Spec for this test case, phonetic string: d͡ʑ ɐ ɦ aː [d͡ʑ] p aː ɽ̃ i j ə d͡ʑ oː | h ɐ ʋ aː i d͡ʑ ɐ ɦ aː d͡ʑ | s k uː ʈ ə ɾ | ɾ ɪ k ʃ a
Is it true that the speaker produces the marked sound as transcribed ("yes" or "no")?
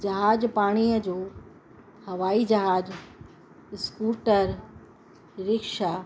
yes